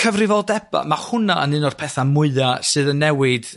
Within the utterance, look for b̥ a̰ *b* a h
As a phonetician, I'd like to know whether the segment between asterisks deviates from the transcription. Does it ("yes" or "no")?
yes